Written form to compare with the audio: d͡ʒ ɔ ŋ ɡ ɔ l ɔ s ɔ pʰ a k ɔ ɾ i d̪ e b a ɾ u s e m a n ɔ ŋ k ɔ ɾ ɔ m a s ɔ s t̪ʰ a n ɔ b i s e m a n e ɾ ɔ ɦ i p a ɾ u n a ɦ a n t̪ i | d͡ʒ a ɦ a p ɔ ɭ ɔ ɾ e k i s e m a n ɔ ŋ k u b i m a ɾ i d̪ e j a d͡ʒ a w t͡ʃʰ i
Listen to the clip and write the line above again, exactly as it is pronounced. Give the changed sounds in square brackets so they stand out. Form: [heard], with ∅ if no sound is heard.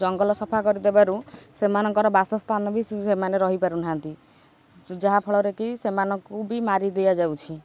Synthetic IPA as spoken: d͡ʒ ɔ ŋ ɡ ɔ l ɔ s ɔ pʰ a k ɔ ɾ i d̪ e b a ɾ u s e m a n ɔ ŋ k ɔ ɾ ɔ [b] a s ɔ s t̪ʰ a n ɔ b i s e m a n e ɾ ɔ ɦ i p a ɾ u n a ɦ a n t̪ i | d͡ʒ a ɦ a [pʰ] ɔ ɭ ɔ ɾ e k i s e m a n ɔ ŋ k u b i m a ɾ i d̪ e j a d͡ʒ a w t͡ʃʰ i

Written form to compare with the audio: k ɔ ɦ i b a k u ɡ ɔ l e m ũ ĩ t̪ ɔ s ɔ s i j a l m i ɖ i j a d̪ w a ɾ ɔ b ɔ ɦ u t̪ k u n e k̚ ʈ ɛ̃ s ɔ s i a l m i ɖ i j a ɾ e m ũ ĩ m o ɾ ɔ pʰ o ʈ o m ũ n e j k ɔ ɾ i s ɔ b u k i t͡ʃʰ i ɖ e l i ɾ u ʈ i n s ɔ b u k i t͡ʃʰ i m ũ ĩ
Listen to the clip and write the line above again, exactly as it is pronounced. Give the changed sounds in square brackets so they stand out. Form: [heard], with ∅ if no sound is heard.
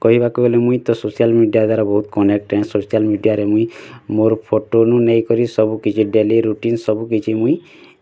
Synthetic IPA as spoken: k ɔ ɦ i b a k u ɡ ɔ l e m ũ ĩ t̪ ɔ s [o] s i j a l m i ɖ i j a d̪ w a ɾ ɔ b ɔ ɦ u t̪ k [ɔ] n e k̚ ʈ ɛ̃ s [o] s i a l m i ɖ i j a ɾ e m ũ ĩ m o ɾ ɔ pʰ o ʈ o [n] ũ n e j k ɔ ɾ i s ɔ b u k i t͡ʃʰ i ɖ e l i ɾ u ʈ i n s ɔ b u k i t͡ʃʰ i m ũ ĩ

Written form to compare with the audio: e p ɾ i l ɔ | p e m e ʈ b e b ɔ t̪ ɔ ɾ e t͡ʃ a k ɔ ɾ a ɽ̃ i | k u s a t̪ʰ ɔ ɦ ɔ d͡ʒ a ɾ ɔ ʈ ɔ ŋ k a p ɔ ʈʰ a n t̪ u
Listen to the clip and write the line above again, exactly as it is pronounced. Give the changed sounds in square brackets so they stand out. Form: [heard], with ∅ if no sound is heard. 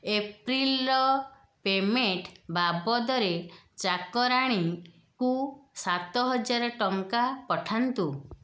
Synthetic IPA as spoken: e p ɾ i l ɔ | p e m e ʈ b [a] b ɔ [d̪] ɔ ɾ e t͡ʃ a k ɔ ɾ a ɽ̃ i | k u s a [t̪] ɔ ɦ ɔ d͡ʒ a ɾ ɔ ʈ ɔ ŋ k a p ɔ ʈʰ a n t̪ u

